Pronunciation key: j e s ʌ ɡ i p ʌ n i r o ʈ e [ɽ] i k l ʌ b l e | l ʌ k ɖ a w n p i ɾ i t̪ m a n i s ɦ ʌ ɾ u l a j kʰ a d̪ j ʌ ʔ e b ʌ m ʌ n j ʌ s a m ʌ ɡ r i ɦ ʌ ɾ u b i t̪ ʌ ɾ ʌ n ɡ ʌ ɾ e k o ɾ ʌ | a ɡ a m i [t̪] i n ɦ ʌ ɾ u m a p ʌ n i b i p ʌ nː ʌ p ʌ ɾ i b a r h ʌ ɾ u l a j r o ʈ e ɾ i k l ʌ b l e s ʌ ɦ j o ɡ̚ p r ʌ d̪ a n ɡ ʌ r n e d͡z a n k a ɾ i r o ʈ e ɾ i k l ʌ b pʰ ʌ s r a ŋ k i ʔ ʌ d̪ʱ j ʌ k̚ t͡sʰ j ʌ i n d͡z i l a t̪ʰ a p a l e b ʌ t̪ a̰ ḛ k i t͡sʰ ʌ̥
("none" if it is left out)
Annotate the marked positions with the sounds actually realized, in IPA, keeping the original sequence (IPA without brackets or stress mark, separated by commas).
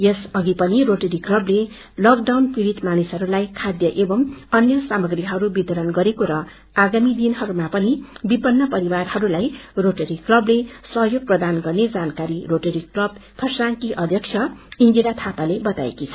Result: ɾ, d̪